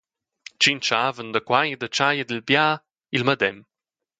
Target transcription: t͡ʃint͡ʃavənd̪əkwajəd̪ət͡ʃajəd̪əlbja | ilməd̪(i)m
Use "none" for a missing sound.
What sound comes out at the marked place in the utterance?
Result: ɛ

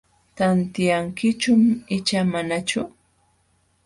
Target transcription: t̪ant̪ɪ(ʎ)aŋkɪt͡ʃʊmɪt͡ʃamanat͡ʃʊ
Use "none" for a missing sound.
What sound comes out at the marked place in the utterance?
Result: j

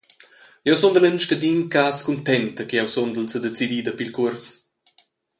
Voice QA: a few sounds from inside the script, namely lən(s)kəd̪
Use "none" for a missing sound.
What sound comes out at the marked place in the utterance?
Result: ʃ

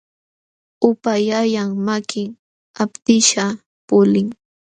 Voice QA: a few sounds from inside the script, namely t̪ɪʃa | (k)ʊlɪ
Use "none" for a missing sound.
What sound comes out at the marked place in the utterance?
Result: p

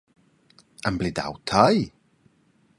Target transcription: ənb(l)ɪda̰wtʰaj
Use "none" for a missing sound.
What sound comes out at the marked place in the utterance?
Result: l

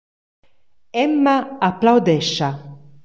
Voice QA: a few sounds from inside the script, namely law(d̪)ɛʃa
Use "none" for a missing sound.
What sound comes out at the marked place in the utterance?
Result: d̪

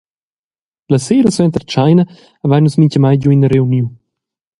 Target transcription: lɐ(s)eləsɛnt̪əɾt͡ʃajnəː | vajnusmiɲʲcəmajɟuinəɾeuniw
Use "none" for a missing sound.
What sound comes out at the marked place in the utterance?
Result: s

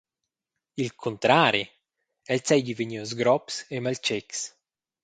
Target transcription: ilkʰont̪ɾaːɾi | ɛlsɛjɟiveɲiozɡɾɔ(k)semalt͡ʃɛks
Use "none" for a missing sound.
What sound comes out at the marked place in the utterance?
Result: p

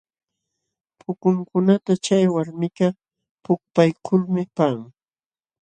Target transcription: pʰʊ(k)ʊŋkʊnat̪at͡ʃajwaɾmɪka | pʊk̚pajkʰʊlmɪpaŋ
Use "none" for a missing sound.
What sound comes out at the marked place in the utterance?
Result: k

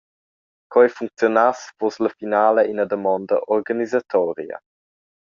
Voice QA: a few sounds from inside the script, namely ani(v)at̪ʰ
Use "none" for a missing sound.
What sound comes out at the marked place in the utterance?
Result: z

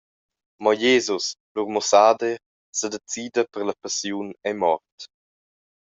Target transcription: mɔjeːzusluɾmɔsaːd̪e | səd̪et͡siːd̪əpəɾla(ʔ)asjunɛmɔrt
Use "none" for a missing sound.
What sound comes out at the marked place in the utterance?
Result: p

